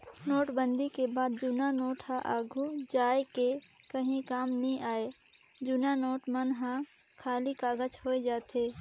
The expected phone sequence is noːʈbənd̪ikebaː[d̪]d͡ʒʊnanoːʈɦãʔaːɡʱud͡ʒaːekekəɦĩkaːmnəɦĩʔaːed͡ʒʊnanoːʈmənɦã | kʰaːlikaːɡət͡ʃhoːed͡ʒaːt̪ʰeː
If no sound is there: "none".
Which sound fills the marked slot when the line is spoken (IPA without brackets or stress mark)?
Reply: d̪